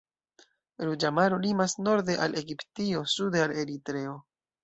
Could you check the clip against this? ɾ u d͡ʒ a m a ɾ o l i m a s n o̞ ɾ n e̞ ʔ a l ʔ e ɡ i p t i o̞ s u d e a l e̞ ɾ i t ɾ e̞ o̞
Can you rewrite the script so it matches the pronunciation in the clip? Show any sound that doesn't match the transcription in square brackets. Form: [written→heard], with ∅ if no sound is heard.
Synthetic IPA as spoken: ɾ u d͡ʒ a m a ɾ o l i m a s n o̞ ɾ [n→d] e̞ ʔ a l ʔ e ɡ i p t i o̞ s u d e a l e̞ ɾ i t ɾ e̞ o̞